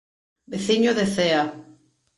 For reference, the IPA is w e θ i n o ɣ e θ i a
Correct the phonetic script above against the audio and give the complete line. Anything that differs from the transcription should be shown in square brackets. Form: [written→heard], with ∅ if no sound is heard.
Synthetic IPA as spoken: [w→b] e θ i [n→ɲ] o [ɣ→ð] e θ [i→e] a